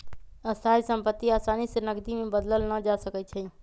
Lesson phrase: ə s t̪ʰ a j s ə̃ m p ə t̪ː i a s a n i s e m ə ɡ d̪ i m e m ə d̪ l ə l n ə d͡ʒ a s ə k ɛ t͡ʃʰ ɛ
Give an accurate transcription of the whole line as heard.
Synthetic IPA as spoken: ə s t̪ʰ a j s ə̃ m p ə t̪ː i a s a n i s e n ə ɡ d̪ i m e b ə d̪ l ə l n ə d͡ʒ a s ə k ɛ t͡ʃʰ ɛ